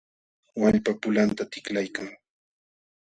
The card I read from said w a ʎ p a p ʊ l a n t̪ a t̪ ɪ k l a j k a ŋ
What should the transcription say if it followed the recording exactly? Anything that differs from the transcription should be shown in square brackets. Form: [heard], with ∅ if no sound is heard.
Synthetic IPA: w a ʎ p a p ʊ l a n t̪ a t̪ ɪ k l a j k a ŋ